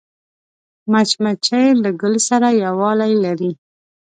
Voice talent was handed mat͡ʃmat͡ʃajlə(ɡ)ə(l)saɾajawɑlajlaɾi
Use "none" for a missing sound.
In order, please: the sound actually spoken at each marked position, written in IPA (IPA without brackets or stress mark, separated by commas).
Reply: ɡ, l